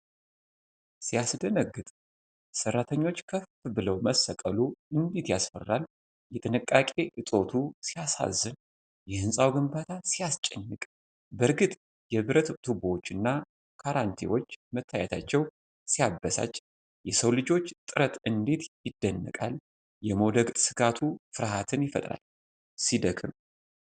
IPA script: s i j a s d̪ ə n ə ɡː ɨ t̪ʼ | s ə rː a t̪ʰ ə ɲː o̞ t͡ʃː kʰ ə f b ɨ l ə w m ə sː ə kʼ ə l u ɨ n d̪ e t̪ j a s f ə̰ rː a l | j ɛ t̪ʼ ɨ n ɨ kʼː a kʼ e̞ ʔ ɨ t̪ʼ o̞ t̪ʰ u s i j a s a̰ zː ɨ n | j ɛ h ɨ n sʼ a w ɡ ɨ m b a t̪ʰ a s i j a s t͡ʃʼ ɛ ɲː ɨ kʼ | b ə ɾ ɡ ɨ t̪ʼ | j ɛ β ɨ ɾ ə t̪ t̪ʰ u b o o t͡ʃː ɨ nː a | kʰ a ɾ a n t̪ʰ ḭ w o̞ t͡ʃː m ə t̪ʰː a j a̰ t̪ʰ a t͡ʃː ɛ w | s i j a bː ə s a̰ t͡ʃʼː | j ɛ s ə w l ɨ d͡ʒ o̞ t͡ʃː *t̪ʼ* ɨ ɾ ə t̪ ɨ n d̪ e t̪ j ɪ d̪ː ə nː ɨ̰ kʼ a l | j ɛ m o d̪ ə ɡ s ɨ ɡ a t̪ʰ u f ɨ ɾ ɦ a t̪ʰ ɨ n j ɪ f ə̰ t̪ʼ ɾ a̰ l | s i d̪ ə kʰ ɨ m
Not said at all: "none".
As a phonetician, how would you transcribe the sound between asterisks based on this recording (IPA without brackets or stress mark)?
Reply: t̪ʼ